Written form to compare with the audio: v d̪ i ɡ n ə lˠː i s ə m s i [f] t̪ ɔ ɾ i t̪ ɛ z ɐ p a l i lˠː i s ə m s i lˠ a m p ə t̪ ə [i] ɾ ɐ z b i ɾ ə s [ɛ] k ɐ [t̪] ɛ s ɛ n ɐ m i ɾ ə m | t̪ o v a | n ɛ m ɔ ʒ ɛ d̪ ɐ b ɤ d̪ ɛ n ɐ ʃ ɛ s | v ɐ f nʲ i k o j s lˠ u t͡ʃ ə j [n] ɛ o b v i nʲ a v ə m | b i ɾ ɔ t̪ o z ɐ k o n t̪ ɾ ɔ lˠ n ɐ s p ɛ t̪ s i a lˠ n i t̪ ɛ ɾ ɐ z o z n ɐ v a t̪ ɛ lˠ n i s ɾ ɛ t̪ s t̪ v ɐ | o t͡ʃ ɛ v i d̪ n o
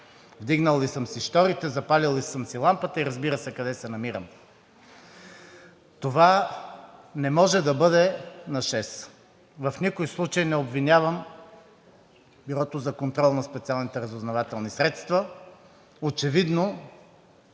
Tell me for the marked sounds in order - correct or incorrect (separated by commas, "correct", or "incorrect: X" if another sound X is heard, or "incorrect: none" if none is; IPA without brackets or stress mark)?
incorrect: ʃ, correct, correct, incorrect: d̪, correct